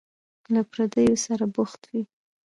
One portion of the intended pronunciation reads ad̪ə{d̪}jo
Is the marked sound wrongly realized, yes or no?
yes